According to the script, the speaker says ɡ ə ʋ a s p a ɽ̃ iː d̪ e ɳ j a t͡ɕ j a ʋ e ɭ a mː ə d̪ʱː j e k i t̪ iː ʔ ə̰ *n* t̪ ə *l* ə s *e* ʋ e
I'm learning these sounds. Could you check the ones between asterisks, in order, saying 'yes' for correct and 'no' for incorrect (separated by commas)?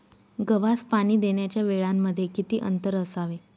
yes, no, no